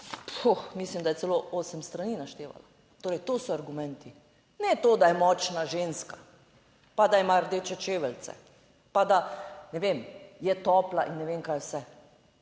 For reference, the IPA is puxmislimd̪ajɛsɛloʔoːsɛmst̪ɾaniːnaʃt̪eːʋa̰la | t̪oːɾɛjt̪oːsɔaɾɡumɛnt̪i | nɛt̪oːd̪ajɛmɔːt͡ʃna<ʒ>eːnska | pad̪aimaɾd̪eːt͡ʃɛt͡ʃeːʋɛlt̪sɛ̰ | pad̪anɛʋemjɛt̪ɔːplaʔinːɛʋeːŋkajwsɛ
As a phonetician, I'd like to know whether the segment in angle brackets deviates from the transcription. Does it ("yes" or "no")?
no